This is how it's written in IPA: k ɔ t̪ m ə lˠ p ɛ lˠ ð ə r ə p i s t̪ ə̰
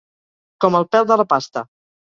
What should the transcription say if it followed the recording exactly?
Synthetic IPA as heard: k ɔ m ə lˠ p ɛ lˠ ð ə l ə p a s t̪ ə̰